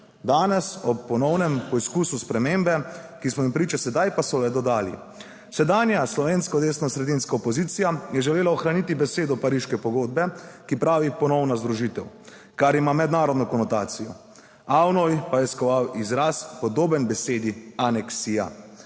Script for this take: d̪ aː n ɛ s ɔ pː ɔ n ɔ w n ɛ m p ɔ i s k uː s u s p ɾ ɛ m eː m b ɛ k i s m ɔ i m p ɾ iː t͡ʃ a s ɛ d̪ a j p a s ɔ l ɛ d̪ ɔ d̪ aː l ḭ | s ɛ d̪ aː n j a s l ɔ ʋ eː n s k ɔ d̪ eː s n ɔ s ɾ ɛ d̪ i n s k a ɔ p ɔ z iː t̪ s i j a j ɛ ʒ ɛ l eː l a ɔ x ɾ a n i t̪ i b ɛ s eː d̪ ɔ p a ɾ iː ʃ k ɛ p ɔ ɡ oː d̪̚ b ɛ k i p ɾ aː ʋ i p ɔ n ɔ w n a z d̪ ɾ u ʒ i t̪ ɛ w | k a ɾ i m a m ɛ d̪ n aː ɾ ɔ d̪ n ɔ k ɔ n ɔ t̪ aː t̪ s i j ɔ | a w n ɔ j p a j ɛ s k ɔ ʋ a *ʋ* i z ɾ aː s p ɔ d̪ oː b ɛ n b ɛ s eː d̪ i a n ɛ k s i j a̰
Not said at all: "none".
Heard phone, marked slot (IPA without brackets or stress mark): w